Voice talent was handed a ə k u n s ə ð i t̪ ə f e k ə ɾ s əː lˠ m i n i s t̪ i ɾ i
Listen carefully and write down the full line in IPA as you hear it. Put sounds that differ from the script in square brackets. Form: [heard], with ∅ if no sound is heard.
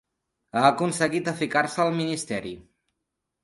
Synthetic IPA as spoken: a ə k u n s ə [ɣ] i t̪ ə f [i] k [a] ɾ s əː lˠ m i n i s t̪ [ɛ] ɾ i